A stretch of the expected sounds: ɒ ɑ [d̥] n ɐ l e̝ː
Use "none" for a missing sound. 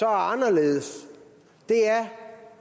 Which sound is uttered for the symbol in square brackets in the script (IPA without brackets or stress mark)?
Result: none